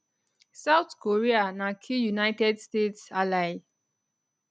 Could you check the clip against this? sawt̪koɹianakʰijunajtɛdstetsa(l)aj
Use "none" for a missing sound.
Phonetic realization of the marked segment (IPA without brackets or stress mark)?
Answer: l